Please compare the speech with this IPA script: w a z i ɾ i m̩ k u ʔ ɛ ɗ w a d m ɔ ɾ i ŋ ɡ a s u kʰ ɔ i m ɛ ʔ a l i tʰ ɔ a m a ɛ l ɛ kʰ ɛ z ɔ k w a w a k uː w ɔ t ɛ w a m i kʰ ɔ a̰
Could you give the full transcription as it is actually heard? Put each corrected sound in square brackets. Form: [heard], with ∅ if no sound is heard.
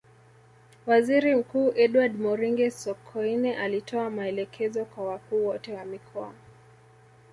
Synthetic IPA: w a z i ɾ i m̩ k [uː] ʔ ɛ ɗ w a d m ɔ ɾ i ŋ ɡ [ɛ] s [ɔ] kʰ ɔ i [n] ɛ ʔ a l i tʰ ɔ a m a ɛ l ɛ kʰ ɛ z ɔ k w a w a k uː w ɔ t ɛ w a m i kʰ ɔ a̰